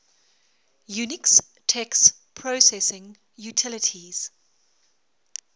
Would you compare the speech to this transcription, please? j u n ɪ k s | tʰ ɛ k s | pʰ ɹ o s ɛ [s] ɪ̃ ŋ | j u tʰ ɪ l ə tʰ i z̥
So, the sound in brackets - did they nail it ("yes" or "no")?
yes